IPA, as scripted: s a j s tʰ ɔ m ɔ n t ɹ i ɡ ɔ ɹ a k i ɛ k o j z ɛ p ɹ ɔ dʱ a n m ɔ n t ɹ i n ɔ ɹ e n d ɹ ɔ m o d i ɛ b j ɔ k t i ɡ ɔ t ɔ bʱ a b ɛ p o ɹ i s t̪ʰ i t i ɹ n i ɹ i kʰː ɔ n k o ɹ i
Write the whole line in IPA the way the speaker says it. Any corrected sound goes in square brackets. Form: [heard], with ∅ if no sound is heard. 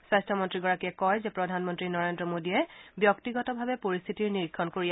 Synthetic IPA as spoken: s a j s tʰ ɔ m ɔ n t ɹ i ɡ ɔ ɹ a k i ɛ k [ɔ] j z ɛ p ɹ ɔ dʱ a n m ɔ n t ɹ i n ɔ ɹ e n d ɹ ɔ m o d i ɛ b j ɔ k t i ɡ ɔ t ɔ bʱ a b ɛ p o ɹ i s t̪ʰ i t i ɹ n i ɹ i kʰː ɔ n k o ɹ i